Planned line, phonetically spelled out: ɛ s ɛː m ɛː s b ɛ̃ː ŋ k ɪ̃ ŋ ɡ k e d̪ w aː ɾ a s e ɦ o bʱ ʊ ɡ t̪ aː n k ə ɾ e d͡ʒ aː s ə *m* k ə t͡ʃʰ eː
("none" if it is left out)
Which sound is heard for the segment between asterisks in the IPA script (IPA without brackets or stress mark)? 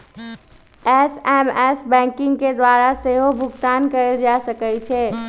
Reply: none